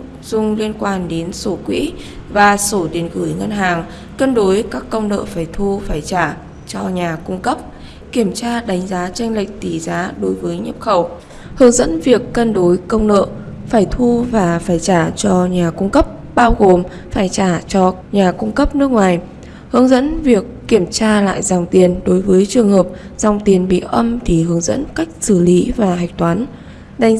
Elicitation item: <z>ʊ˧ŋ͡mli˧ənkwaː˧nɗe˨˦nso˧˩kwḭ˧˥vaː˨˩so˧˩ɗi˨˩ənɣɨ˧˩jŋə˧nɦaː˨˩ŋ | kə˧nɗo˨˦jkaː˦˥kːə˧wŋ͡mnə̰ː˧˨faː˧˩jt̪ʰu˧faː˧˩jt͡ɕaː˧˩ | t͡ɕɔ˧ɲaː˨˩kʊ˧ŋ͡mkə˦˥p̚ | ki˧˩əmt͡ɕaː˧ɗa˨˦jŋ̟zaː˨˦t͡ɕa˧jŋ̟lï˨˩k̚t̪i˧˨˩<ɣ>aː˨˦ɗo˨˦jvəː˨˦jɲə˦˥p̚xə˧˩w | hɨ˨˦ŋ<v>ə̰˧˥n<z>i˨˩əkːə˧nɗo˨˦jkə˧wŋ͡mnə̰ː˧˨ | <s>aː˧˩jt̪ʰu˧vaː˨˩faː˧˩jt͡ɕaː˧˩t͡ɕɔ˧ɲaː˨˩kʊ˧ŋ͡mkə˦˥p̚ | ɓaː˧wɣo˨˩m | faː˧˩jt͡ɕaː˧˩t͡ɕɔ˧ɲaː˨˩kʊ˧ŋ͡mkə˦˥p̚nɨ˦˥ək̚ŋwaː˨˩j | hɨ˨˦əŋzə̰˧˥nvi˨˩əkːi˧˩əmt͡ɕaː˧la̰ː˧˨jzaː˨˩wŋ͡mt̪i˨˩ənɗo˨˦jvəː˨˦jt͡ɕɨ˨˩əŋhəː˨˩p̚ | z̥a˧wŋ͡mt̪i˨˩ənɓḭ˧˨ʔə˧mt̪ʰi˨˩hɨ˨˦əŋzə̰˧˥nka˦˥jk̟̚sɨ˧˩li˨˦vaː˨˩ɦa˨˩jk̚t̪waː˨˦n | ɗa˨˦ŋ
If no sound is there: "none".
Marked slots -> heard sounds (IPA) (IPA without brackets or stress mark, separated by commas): z, z, z, v, f